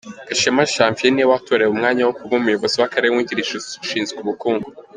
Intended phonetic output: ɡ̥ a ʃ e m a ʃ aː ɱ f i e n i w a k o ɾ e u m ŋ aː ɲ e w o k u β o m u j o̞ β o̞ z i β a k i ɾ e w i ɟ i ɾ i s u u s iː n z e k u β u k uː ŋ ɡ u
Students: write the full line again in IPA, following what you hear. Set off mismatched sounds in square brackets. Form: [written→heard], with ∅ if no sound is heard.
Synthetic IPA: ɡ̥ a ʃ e m a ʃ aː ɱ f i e n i w a [k→t] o ɾ e u m ŋ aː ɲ [e→a] w o k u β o m u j o̞ β o̞ z i [β→w] a k [i→a] ɾ e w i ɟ i ɾ i [s→ʃ] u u [s→ʃ] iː n z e k u β u k uː ŋ ɡ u